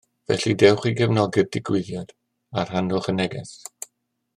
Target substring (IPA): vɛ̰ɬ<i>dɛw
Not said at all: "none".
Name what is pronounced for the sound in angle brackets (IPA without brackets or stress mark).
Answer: i